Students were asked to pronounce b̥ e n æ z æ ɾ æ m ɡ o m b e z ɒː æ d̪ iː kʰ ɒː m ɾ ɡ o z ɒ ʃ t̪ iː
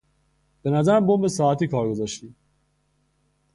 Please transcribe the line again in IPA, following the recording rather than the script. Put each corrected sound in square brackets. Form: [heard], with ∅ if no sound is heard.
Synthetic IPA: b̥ e n æ z æ ɾ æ m [b] o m b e [s] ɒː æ [t̪] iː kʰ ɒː [∅] ɾ ɡ o z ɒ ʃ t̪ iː